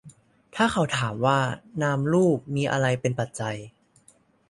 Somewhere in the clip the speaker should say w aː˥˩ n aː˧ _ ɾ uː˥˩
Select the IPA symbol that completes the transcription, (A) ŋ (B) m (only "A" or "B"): B